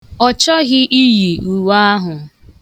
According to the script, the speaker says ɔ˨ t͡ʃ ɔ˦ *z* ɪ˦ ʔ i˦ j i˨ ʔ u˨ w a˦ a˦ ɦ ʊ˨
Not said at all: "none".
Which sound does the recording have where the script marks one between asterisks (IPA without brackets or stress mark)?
ɣ